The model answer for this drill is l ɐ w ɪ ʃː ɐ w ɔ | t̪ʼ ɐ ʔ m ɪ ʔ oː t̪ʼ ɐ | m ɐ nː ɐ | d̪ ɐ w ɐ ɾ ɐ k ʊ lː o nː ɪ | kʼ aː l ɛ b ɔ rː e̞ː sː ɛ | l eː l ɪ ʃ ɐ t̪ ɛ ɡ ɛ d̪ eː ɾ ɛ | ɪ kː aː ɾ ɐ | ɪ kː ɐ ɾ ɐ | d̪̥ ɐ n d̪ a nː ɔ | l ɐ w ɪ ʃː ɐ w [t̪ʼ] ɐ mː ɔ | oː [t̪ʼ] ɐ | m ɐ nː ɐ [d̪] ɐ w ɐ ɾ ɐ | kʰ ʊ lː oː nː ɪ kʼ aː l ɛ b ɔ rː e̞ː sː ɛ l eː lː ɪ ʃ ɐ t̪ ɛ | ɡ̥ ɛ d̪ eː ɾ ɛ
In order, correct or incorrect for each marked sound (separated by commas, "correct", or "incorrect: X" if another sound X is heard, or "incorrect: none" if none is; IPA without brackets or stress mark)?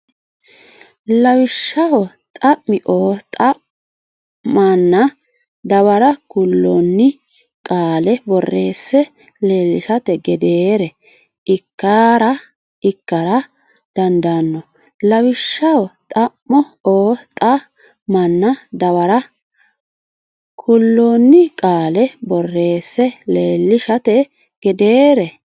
correct, correct, correct